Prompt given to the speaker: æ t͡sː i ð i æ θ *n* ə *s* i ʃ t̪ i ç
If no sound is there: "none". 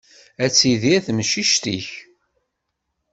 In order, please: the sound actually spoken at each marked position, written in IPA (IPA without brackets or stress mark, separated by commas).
m, ʃ